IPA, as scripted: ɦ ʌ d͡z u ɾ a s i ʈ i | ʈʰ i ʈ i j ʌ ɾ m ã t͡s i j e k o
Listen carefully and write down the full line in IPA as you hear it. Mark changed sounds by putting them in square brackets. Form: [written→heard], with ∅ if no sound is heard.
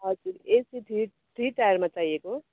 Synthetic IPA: ɦ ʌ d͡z u ɾ [a→e] s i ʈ i | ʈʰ i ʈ [i→a] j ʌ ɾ m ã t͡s [i→a] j e k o

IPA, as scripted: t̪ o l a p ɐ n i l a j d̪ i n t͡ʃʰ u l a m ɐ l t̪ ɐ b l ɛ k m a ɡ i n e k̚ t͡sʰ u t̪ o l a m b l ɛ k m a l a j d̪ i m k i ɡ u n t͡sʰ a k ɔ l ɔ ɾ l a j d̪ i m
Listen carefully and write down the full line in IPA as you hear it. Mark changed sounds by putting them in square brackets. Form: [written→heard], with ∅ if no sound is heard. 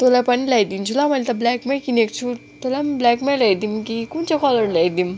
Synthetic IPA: t̪ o l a p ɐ n i l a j d̪ i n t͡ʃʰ u l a m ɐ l t̪ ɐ b l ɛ k m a [ɡ→k] i n e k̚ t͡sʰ u t̪ o l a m b l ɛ k m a l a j d̪ i m k i [ɡ→k] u n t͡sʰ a k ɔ l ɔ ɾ l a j d̪ i m

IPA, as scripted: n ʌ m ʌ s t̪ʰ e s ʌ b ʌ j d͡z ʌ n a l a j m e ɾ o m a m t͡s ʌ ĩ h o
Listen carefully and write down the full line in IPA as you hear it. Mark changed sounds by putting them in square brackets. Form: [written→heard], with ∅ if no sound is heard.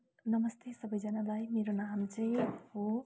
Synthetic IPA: n ʌ m ʌ s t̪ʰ e s ʌ b ʌ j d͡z ʌ n a l a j m e ɾ o [m→n] a m t͡s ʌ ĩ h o

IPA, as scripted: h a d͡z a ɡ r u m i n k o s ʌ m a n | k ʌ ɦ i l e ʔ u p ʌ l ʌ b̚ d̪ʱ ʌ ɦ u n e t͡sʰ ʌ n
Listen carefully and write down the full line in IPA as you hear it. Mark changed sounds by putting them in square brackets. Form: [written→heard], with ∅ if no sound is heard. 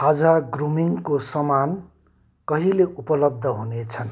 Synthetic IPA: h a d͡z a ɡ r u m i [n→ŋ] k o s ʌ m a n | k ʌ ɦ i l e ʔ u p ʌ l ʌ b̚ d̪ʱ ʌ ɦ u n e t͡sʰ ʌ n

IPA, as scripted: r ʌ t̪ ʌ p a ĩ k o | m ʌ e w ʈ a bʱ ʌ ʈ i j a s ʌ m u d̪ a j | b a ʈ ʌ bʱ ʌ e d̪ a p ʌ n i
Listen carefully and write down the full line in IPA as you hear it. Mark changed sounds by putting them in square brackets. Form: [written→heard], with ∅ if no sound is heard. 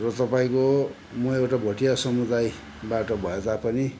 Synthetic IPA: r ʌ t̪ ʌ p a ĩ k o | m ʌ e w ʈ a bʱ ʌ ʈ i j a s ʌ m u d̪ a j | b a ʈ ʌ bʱ ʌ e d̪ a p ʌ n i

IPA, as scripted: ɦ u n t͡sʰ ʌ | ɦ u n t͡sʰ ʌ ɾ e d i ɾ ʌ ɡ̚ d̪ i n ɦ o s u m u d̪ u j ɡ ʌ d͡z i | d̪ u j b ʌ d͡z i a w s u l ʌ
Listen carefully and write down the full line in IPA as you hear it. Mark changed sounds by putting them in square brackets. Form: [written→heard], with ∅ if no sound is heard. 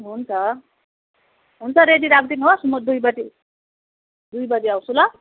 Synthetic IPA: ɦ u n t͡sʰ ʌ | ɦ u n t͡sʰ ʌ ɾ e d i ɾ [ʌ→a] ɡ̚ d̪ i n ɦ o s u m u d̪ u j [ɡ→b] ʌ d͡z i | d̪ u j b ʌ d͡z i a w s u l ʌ

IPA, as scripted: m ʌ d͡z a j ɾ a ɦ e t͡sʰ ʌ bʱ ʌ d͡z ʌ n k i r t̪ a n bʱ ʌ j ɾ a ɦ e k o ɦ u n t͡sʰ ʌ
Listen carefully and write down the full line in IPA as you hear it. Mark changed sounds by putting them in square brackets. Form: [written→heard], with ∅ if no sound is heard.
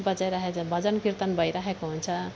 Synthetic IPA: [m→b] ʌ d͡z a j ɾ a ɦ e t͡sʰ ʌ bʱ ʌ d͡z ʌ n k i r t̪ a n bʱ ʌ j ɾ a ɦ e k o ɦ u n t͡sʰ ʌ

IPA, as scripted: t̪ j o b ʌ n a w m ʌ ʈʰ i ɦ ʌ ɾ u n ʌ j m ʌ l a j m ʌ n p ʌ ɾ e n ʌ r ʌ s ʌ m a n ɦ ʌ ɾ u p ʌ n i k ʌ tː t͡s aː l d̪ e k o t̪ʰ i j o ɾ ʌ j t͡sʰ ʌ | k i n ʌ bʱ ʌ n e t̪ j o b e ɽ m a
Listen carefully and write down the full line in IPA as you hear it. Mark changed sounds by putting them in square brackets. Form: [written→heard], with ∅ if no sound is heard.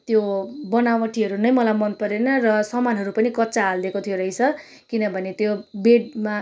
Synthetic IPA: t̪ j o b ʌ n a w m ʌ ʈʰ i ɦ ʌ ɾ u n ʌ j m ʌ l a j m ʌ n p ʌ ɾ e n ʌ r ʌ s ʌ m a n ɦ ʌ ɾ u p ʌ n i k ʌ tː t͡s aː l d̪ e k o t̪ʰ i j o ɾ ʌ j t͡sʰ ʌ | k i n ʌ bʱ ʌ n e t̪ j o b e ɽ m a

